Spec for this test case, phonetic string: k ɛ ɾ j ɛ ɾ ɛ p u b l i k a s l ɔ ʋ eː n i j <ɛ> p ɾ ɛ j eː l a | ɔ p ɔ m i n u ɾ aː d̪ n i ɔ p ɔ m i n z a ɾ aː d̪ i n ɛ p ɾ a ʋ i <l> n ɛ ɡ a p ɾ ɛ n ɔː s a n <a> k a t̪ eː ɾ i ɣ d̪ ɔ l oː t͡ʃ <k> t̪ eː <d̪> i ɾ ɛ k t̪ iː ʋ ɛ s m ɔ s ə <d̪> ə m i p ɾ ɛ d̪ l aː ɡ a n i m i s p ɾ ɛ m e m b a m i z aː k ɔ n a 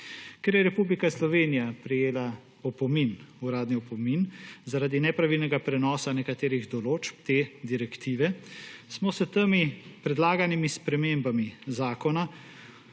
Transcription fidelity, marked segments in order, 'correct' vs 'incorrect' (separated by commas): incorrect, correct, incorrect, incorrect, correct, incorrect